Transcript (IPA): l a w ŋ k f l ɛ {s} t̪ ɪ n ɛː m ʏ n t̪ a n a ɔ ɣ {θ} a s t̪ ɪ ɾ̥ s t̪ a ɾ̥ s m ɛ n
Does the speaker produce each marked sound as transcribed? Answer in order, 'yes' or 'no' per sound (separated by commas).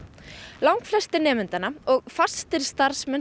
yes, no